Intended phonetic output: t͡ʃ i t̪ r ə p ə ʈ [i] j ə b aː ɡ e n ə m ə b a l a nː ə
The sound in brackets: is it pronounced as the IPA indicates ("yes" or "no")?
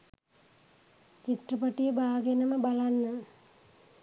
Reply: yes